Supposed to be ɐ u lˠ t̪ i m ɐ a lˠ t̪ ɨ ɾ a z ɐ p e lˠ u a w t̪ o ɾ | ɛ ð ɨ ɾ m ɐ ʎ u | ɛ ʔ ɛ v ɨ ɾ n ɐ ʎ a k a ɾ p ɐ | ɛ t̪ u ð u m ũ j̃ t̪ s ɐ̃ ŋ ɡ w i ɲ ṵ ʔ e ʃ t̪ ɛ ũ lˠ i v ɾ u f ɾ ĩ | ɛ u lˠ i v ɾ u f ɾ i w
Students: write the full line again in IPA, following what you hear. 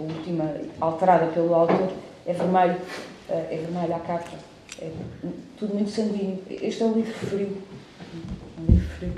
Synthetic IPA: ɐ u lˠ t̪ i m ɐ a lˠ t̪ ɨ ɾ a ð ɐ p e lˠ u a w t̪ o ɾ | ɛ v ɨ ɾ m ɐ ʎ u | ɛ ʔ ɛ v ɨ ɾ m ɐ ʎ a k a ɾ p ɐ | ɛ t̪ u ð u m ũ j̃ t̪ s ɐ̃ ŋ ɡ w i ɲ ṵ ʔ e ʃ t̪ ɛ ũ lˠ i v ɾ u f ɾ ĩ | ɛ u lˠ i v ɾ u f ɾ i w